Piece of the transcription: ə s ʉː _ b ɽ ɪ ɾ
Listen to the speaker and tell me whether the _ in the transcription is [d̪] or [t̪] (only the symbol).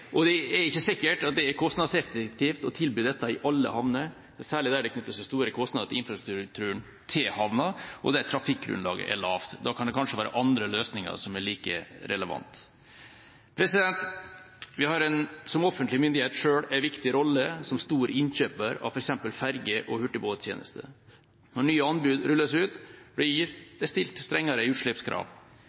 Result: t̪